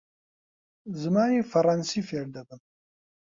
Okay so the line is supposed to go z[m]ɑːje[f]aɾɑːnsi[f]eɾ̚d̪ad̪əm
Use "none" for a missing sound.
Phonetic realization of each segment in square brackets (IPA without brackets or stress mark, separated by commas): m, f, f